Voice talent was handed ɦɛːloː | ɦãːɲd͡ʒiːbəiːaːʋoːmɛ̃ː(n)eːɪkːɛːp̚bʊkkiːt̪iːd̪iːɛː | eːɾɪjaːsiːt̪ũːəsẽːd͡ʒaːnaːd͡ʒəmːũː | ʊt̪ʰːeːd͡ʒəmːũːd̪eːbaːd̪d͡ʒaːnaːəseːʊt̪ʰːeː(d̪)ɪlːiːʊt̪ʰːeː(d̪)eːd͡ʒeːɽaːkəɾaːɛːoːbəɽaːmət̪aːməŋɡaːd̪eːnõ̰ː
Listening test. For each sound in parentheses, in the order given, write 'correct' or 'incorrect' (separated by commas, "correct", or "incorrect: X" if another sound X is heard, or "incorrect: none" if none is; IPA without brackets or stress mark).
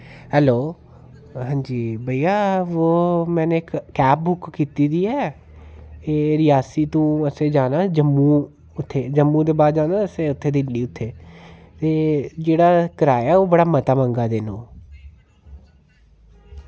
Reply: correct, correct, incorrect: t̪